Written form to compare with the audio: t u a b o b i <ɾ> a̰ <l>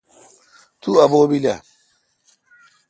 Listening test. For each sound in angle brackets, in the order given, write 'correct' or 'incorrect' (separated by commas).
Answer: incorrect, incorrect